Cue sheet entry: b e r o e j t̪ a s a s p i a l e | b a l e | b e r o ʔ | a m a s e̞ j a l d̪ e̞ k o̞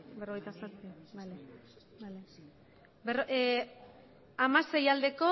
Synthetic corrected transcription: b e r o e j t̪ a s a s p i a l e | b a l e | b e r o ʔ | a m a s e̞ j a l d̪ e̞ k o̞